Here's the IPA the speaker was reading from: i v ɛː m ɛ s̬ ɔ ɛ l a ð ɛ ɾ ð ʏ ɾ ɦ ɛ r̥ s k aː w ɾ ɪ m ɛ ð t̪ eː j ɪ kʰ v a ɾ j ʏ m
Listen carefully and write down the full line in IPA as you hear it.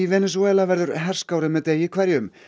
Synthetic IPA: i v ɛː n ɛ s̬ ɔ ɛ l a v ɛ ɾ ð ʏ ɾ ɦ ɛ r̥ s k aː w ɾ ɪ m ɛ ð t̪ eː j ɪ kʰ v ɛ ɾ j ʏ m